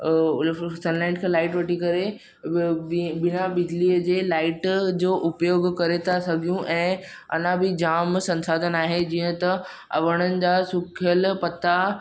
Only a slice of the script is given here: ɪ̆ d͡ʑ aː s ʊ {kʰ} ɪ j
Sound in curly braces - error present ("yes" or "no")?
no